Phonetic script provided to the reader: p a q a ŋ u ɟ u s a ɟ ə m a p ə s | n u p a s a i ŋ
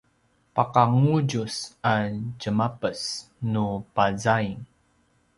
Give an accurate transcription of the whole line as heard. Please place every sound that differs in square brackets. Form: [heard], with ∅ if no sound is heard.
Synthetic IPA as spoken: p a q a ŋ u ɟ u s a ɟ ə m a p ə s | n u p a [z] a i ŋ